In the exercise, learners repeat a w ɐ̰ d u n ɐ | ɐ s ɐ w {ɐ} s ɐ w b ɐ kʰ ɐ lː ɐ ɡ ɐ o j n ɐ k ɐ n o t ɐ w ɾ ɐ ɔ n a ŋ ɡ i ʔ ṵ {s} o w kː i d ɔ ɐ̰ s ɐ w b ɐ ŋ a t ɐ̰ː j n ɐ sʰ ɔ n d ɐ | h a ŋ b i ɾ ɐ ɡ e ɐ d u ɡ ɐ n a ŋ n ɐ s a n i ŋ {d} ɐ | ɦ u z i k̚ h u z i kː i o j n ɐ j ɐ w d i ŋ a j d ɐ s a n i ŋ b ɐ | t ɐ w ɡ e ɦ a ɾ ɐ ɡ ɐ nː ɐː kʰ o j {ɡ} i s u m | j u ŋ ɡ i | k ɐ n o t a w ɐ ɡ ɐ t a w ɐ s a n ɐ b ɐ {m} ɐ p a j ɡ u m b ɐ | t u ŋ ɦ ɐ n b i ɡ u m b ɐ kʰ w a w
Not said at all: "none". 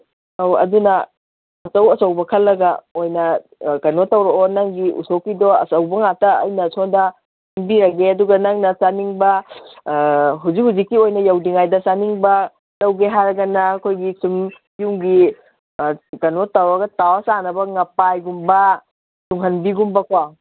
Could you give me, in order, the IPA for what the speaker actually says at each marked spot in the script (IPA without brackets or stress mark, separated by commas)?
ɐ, s, b, ɡ, ŋ